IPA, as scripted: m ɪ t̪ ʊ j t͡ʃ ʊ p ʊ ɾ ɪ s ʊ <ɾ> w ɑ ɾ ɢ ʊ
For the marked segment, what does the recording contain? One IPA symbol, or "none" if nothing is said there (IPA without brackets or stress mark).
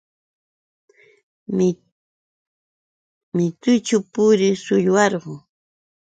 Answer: ʎ